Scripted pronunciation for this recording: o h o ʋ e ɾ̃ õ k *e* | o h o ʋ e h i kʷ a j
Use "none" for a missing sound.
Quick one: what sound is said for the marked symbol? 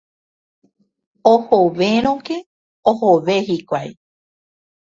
e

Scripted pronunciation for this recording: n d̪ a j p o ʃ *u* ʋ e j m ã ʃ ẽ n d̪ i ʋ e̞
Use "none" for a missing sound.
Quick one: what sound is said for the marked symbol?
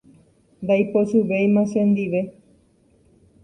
u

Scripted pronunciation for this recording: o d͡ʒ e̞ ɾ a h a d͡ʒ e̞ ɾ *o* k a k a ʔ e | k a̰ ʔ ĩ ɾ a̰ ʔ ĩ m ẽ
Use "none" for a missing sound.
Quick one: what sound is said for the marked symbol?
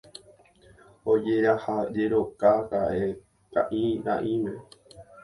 o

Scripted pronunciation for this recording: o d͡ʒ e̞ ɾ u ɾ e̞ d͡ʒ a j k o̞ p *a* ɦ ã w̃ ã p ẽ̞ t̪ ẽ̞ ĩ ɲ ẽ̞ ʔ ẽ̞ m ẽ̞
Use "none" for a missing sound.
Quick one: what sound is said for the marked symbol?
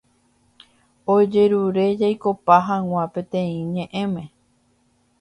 a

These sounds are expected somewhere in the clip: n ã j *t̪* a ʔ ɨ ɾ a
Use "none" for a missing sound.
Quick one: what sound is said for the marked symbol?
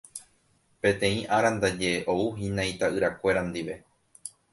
t̪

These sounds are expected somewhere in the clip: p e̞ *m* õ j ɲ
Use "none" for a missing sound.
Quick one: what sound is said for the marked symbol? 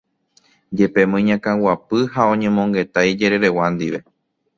m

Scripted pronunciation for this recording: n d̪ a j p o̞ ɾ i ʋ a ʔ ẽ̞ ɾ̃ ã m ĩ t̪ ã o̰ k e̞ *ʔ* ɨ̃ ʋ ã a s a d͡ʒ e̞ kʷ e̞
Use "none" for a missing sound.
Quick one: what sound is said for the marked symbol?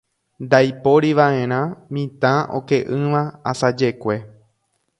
ʔ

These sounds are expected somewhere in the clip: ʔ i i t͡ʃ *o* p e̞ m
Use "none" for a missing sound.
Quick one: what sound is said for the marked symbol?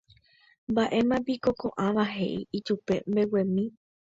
u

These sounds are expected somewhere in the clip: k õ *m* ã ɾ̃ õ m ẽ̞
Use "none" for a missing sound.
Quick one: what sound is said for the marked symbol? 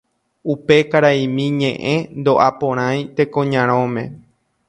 ɲ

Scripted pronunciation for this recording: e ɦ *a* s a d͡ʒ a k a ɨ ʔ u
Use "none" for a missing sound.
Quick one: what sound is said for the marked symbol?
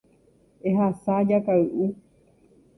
a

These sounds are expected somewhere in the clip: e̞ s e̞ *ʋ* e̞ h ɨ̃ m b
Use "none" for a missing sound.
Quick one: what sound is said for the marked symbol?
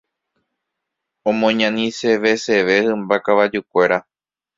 ʋ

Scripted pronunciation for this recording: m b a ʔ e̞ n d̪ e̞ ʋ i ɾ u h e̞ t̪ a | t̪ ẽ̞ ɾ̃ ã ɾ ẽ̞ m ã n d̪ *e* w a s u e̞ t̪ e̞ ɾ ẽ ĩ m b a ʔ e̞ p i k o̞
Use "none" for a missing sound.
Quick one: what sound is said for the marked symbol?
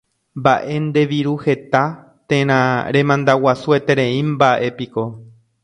a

